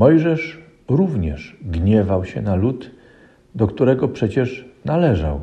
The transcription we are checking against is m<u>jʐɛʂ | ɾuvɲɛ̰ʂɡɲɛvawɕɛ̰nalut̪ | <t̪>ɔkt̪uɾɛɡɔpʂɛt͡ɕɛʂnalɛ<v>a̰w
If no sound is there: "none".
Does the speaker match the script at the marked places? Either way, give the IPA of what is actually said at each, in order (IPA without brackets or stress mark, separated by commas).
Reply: ɔ, d̪, ʐ